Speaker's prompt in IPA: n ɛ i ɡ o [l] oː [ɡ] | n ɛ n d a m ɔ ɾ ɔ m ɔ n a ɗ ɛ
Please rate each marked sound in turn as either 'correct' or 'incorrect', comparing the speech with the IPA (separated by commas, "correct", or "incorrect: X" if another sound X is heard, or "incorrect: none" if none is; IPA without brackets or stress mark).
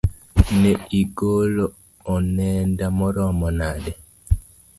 correct, incorrect: none